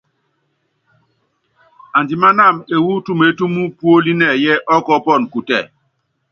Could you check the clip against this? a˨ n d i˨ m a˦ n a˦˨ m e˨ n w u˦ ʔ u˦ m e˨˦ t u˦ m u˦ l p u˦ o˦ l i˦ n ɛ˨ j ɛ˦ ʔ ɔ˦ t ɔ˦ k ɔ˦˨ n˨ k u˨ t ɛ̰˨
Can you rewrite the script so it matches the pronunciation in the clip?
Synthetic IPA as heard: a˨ n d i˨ m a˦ n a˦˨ m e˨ w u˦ t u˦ m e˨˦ t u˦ m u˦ p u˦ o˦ l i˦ n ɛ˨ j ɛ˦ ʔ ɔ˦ k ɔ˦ p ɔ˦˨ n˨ k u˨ t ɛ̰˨